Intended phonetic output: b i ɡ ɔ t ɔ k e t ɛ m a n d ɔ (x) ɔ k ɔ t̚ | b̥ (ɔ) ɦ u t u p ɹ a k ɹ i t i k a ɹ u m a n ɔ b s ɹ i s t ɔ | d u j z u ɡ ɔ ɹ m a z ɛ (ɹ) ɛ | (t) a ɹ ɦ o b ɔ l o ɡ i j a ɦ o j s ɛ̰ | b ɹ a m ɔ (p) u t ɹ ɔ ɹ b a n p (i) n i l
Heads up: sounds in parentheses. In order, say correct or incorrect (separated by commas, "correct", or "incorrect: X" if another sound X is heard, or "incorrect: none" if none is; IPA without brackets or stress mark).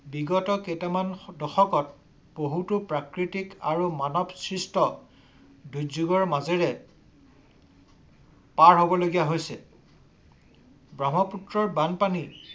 correct, incorrect: o, correct, incorrect: p, correct, incorrect: a